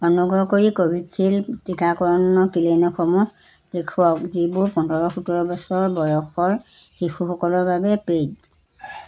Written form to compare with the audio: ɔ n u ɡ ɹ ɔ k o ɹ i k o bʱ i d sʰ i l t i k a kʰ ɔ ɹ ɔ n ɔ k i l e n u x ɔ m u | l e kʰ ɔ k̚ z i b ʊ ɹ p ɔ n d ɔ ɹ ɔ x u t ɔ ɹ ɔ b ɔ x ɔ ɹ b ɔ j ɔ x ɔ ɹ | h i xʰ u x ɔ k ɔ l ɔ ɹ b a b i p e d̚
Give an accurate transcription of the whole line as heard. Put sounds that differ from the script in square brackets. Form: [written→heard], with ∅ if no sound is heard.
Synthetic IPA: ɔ n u ɡ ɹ ɔ k o ɹ i k o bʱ i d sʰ i l t i k a [kʰ→k] ɔ ɹ ɔ n ɔ k i l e n [u→ɔ] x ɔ m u | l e kʰ ɔ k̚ z i b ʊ ɹ p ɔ n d ɔ ɹ ɔ x u t ɔ ɹ ɔ b ɔ [x→s] ɔ ɹ b ɔ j ɔ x ɔ ɹ | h i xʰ u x ɔ k ɔ l ɔ ɹ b a b [i→ɛ] p e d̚